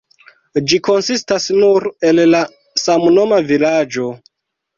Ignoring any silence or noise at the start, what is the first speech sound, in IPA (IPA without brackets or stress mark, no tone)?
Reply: d͡ʒ